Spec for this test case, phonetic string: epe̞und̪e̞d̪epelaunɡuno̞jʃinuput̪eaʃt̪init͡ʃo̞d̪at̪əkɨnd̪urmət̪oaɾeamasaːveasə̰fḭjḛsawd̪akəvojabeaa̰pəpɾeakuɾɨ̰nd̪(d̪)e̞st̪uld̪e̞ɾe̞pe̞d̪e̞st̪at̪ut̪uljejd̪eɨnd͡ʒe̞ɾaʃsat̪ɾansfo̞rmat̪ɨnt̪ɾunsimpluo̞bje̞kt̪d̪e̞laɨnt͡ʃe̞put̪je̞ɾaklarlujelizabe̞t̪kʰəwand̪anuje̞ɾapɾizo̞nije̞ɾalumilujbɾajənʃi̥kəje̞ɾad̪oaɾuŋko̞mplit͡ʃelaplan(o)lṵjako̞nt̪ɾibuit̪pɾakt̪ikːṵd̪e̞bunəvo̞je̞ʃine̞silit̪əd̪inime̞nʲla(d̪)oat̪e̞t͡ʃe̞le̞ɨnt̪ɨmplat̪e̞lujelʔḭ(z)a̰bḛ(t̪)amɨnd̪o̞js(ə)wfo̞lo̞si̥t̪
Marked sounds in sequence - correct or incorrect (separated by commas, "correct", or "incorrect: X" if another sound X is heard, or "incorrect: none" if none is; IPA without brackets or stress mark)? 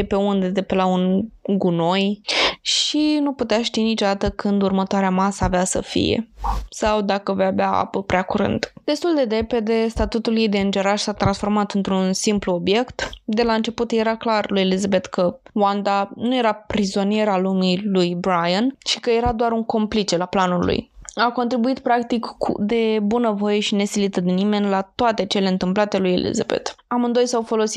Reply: correct, incorrect: u, incorrect: t̪, correct, correct, incorrect: a